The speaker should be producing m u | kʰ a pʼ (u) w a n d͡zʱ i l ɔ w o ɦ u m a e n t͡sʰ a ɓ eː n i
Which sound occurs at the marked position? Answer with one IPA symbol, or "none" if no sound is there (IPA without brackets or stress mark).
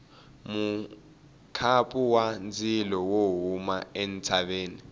u